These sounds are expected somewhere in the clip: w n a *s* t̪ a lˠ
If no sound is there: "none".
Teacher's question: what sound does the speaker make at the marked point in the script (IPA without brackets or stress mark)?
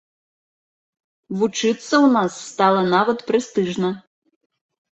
sː